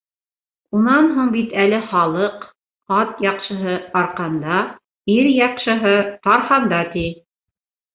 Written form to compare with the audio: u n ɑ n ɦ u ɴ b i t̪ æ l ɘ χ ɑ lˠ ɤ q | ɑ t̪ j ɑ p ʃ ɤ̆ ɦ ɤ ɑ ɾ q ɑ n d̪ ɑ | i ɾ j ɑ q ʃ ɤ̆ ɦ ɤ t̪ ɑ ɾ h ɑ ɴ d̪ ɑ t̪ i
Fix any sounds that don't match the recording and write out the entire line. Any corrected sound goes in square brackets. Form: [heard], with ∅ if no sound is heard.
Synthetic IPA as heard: u n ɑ n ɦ u ɴ b i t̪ æ l ɘ χ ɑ lˠ ɤ q | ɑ t̪ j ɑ [q] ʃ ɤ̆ ɦ ɤ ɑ ɾ q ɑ n d̪ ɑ | i ɾ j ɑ q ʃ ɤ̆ ɦ ɤ t̪ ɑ ɾ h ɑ [n] d̪ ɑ t̪ i